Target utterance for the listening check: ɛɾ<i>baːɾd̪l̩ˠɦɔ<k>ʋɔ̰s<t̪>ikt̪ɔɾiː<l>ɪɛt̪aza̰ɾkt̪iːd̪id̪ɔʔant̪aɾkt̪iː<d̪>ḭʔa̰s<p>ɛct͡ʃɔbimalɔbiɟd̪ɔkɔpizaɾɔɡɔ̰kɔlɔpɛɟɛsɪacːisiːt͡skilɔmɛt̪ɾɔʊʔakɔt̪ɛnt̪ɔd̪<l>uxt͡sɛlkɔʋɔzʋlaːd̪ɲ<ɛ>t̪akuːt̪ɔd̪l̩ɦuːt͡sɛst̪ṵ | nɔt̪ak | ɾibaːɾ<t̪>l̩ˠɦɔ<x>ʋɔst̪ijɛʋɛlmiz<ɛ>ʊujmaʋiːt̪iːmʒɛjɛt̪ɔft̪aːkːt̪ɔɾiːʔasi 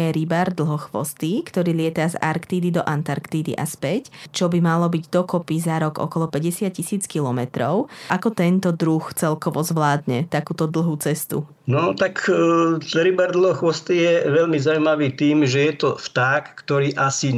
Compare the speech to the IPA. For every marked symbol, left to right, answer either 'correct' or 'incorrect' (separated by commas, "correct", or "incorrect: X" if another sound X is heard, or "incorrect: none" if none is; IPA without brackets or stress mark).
correct, incorrect: x, correct, correct, correct, correct, incorrect: ɾ, correct, incorrect: d̪, correct, incorrect: a